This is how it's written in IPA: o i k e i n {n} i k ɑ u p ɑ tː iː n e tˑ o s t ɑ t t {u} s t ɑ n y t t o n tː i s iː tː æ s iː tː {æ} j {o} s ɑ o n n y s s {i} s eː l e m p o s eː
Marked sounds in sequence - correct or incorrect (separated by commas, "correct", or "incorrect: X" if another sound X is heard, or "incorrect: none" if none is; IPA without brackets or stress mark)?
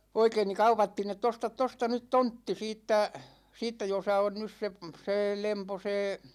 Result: correct, incorrect: o, correct, correct, incorrect: e